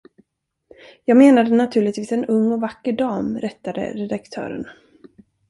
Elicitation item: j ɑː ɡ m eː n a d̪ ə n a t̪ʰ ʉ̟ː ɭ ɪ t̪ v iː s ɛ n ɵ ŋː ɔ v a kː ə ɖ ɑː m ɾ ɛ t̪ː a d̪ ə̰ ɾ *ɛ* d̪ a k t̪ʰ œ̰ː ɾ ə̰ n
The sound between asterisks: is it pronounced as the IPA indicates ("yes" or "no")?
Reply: yes